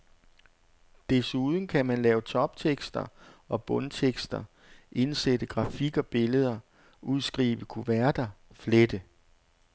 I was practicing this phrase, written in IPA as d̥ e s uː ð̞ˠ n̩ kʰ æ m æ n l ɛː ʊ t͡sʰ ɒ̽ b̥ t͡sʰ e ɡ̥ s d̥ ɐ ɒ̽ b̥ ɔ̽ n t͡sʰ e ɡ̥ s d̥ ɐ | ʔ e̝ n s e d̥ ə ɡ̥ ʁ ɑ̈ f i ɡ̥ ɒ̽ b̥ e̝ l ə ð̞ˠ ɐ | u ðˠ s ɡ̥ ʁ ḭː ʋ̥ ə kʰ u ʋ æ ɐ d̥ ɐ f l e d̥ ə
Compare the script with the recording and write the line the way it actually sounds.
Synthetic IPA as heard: d̥ e s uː ð̞ˠ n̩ kʰ æ m æ n l ɛː ʊ t͡sʰ ɒ̽ b̥ t͡sʰ e ɡ̥ s d̥ ɐ ɒ̽ b̥ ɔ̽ n t͡sʰ e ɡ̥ s d̥ ɐ | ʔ e̝ n s e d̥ ə ɡ̥ ʁ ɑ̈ f i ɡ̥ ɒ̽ b̥ e̝ l ə ð̞ˠ ɐ | u ðˠ s ɡ̥ ʁ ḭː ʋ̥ ə kʰ u ʋ æ ɐ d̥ ɐ f l e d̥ ə

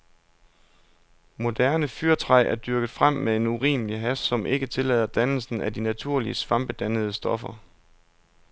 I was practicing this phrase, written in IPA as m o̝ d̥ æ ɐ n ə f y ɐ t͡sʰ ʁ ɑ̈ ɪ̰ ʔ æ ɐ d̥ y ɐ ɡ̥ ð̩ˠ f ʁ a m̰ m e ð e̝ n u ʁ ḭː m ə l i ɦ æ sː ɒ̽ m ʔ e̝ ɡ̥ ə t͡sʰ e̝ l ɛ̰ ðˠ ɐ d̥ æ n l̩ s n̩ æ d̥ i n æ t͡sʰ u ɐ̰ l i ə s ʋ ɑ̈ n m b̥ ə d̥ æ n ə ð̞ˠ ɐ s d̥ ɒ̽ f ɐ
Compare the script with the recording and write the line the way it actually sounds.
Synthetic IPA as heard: m o̝ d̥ æ ɐ n ə f y ɐ t͡sʰ ʁ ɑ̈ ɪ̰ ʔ æ ɐ d̥ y ɐ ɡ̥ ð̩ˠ f ʁ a m̰ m e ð e̝ n u ʁ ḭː m ə l i ɦ æ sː ɒ̽ m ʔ e̝ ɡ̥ ə t͡sʰ e̝ l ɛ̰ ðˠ ɐ d̥ æ n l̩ s n̩ æ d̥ i n æ t͡sʰ u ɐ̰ l i ə s ʋ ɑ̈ m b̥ ə d̥ æ n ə ð̞ˠ ə s d̥ ɒ̽ f ɐ

